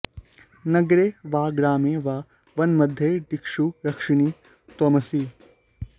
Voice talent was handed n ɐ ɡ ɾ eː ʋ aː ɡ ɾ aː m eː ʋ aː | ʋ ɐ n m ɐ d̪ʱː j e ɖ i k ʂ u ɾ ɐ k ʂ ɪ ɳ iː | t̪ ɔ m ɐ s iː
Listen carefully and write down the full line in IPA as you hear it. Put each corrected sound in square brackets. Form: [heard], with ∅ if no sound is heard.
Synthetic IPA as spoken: n ɐ ɡ ɾ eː ʋ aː ɡ ɾ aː m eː ʋ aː | ʋ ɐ n m ɐ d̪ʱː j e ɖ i k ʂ u ɾ ɐ k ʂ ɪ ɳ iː | t̪ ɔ m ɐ s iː